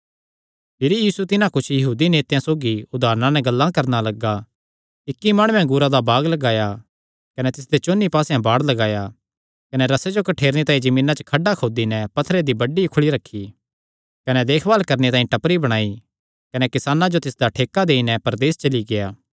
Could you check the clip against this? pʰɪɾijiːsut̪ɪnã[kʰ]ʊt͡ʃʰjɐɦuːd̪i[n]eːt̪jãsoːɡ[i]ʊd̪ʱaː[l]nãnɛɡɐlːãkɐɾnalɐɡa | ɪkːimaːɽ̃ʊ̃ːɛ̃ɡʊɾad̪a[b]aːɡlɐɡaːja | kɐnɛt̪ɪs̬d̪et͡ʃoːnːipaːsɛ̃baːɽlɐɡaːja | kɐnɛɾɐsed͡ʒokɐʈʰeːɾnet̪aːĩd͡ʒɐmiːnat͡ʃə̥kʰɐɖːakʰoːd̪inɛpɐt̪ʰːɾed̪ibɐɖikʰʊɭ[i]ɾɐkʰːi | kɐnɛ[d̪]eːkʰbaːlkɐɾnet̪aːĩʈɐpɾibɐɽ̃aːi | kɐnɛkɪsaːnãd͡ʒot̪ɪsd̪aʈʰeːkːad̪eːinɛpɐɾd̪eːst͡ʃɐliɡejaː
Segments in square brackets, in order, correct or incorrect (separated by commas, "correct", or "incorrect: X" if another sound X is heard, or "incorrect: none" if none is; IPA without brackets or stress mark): incorrect: k, correct, correct, incorrect: ɾ, correct, correct, correct